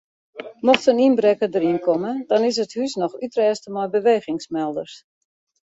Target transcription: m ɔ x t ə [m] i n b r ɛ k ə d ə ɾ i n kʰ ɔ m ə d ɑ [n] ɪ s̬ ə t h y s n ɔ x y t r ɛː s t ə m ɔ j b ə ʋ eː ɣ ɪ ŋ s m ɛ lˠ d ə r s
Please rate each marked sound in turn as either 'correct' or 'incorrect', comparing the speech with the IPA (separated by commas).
incorrect, correct